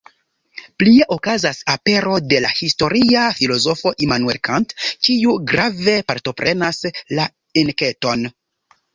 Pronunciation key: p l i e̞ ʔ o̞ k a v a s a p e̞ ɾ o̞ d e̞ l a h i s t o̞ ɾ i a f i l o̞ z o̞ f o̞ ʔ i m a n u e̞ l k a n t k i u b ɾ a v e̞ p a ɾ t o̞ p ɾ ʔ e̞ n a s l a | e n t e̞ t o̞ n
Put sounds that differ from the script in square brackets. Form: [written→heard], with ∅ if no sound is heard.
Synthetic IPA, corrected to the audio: p l i e̞ ʔ o̞ k a [v→z] a s a p e̞ ɾ o̞ d e̞ l a h i s t o̞ ɾ i a f i l o̞ z o̞ f o̞ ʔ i m a n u e̞ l k a n t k i u [b→ɡ] ɾ a v e̞ p a ɾ t o̞ p ɾ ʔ e̞ n a s l a | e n [t→k] e̞ t o̞ n